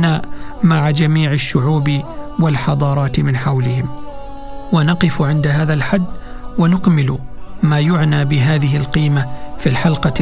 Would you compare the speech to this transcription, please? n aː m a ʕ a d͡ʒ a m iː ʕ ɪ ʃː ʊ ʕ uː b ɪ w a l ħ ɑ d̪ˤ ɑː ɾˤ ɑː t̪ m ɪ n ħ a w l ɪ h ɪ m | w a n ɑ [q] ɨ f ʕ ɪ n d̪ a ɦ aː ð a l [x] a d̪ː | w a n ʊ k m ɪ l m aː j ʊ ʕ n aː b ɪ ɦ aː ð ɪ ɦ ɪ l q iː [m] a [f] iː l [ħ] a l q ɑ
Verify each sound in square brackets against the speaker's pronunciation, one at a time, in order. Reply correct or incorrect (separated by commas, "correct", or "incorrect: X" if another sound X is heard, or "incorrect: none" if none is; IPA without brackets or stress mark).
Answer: correct, incorrect: ħ, correct, correct, correct